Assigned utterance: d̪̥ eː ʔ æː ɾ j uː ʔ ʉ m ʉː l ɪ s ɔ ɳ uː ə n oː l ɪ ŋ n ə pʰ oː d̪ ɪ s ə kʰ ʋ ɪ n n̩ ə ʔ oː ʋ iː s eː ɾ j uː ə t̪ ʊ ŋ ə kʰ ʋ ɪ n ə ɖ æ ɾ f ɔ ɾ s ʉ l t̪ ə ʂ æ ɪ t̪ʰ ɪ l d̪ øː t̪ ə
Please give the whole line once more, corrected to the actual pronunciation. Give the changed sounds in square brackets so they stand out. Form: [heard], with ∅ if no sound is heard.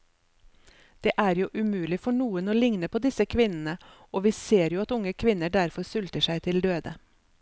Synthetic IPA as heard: d̪̥ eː ʔ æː ɾ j uː ʔ ʉ m ʉː l ɪ [f] ɔ ɳ uː ə n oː l ɪ ŋ n ə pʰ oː d̪ ɪ s ə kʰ ʋ ɪ n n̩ ə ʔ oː ʋ iː s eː ɾ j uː [ɑ] t̪ ʊ ŋ ə kʰ ʋ ɪ n ə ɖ æ ɾ f ɔ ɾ s ʉ l t̪ ə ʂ æ ɪ t̪ʰ ɪ l d̪ øː [d̪] ə